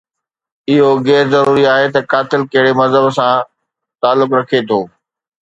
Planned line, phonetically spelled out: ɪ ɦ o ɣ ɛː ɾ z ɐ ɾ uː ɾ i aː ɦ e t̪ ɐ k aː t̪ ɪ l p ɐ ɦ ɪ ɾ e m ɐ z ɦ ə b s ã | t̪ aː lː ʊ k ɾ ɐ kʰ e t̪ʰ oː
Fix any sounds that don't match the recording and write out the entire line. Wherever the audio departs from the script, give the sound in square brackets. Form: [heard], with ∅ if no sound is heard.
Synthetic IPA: ɪ ɦ o ɣ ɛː ɾ z ɐ ɾ uː ɾ i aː ɦ e t̪ ɐ k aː t̪ ɪ l [k] ɐ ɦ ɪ [ɽ] e m ɐ z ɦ ə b s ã | t̪ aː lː ʊ k ɾ ɐ kʰ e t̪ʰ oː